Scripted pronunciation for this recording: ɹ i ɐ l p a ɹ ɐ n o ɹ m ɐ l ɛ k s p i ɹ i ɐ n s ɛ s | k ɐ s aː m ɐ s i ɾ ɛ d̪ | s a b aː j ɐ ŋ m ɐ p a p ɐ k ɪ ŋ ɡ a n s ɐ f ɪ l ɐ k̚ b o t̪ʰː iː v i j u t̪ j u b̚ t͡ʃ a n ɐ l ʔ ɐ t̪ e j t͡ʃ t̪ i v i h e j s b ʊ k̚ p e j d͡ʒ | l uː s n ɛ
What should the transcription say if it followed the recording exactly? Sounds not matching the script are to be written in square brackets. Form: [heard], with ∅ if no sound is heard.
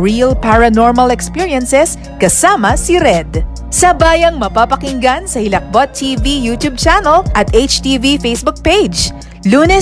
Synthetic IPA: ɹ i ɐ l p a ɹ ɐ n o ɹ m ɐ l ɛ k s p i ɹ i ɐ n s ɛ s | k ɐ s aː m ɐ s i ɾ ɛ d̪ | s [ɐ] b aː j ɐ ŋ m ɐ p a p ɐ k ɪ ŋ ɡ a n s ɐ [h] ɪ l ɐ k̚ b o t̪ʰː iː v i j u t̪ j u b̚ t͡ʃ a n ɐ l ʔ ɐ t̪ e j t͡ʃ t̪ i v i [f] e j s b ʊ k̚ p e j d͡ʒ | l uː [∅] n ɛ